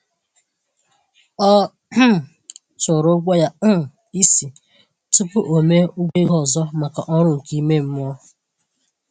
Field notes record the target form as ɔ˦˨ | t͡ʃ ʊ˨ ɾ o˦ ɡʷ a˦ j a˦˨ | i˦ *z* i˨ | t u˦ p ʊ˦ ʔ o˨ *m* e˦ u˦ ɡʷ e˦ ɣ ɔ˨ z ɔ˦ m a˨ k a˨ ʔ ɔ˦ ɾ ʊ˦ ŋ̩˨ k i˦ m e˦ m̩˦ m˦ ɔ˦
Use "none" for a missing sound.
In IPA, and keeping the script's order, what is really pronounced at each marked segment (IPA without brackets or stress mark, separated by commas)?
s, m